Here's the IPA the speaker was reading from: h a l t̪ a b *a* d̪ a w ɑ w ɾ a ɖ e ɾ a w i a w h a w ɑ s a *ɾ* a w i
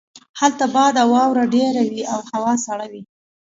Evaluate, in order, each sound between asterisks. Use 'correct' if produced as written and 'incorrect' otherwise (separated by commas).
incorrect, incorrect